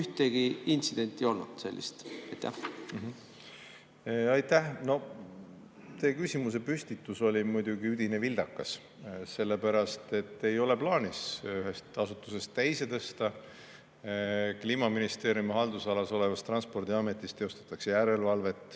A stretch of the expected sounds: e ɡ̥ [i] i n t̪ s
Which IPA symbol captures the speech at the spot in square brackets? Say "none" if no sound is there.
i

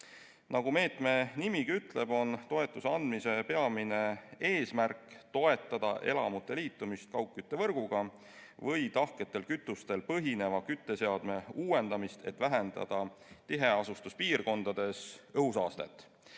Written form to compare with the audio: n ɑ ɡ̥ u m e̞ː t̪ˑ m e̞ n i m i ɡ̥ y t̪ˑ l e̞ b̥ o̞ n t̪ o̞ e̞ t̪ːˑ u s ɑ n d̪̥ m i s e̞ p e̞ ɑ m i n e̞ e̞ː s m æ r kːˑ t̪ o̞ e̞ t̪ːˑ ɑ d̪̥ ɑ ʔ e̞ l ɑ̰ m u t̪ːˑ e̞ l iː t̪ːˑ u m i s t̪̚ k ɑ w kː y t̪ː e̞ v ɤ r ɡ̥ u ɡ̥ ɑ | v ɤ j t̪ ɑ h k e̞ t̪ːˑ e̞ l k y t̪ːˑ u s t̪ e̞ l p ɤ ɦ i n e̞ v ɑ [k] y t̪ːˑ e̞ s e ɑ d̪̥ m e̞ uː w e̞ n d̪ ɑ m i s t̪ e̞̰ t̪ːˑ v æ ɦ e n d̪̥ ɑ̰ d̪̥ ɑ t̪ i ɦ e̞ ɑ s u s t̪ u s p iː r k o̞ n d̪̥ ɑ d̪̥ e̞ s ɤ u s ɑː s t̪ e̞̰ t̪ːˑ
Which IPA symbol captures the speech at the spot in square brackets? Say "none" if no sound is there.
k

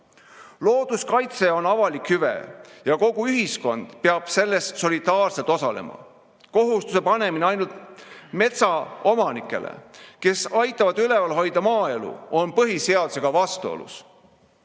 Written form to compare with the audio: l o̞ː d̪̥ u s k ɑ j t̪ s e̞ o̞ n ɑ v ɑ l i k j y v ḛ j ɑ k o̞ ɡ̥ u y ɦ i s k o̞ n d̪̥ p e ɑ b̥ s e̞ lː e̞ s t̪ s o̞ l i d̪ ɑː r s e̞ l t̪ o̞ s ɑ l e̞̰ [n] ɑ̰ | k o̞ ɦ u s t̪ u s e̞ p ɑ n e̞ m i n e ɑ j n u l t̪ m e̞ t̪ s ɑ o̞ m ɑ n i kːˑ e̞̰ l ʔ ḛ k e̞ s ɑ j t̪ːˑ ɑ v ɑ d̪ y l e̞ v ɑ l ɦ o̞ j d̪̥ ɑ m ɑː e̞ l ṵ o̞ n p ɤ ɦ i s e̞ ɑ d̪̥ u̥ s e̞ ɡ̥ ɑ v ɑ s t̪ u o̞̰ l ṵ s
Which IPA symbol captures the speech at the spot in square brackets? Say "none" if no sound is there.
m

